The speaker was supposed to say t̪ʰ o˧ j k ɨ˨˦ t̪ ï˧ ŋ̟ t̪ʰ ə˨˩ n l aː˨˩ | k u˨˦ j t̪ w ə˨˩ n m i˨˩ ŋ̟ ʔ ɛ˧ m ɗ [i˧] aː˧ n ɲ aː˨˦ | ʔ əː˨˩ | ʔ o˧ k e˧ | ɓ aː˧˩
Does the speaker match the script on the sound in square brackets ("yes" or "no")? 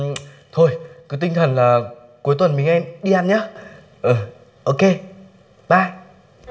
yes